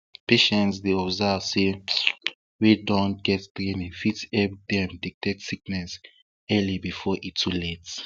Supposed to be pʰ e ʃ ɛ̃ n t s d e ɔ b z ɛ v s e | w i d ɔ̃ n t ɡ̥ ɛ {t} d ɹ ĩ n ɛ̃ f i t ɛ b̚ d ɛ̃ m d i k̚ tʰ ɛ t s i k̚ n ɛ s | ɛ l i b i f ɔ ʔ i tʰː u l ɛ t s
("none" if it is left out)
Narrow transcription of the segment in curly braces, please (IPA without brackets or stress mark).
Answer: t